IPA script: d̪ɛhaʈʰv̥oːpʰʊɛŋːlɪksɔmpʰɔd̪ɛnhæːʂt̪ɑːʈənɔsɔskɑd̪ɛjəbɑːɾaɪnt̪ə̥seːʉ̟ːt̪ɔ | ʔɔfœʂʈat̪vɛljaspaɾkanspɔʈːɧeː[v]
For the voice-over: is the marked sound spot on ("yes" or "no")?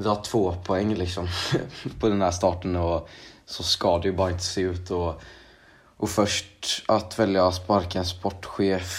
no